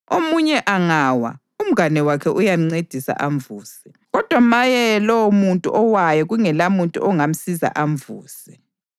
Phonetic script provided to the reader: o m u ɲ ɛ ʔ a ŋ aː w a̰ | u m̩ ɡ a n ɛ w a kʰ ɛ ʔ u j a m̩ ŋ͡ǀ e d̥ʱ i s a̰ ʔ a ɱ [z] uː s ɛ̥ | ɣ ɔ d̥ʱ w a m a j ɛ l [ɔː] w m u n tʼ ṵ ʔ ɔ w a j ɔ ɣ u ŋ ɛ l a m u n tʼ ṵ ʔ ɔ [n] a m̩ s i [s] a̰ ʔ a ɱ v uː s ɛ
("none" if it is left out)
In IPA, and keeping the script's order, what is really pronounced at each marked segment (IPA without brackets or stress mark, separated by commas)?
v, ɔ, ŋ, z